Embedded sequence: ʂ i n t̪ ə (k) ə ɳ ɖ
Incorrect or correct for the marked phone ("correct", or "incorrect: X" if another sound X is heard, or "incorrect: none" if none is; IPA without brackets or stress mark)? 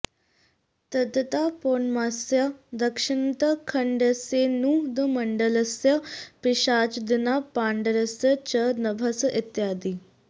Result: incorrect: kʰ